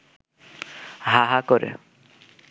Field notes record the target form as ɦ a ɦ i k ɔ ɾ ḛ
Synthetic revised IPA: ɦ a ɦ a k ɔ ɾ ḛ